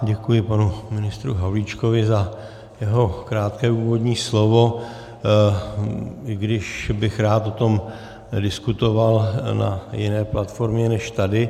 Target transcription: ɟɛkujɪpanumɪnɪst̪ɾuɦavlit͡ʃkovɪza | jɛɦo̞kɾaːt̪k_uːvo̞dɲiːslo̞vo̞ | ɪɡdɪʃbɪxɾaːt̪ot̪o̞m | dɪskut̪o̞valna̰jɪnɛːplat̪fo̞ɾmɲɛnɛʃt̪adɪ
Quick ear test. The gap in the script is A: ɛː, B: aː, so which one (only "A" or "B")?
A